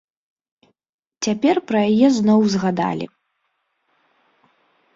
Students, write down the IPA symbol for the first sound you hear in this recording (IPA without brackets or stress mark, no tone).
t͡sʲ